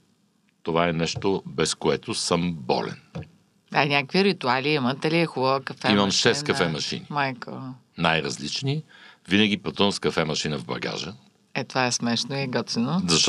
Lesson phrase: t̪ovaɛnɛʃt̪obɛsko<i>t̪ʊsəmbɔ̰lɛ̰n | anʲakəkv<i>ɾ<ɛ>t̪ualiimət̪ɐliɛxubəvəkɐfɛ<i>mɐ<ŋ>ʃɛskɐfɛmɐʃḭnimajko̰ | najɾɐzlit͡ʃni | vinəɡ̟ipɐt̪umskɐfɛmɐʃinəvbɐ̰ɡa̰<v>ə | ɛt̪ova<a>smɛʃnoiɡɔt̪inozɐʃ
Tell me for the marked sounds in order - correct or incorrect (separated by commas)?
incorrect, correct, incorrect, correct, incorrect, incorrect, incorrect